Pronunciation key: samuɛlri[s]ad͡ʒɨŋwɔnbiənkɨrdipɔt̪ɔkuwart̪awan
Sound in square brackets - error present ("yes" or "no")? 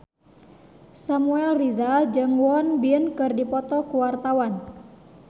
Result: yes